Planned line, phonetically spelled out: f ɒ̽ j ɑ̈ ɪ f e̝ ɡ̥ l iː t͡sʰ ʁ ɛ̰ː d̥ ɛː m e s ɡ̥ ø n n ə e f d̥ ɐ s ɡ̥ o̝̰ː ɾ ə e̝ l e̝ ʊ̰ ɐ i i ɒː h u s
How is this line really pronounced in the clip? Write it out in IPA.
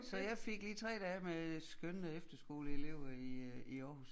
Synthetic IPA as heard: s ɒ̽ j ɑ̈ ɪ f e̝ ɡ̥ l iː t͡sʰ ʁ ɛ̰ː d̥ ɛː m e s ɡ̥ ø n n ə e f d̥ ɐ s ɡ̥ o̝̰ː l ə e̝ l e̝ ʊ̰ ɐ i i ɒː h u s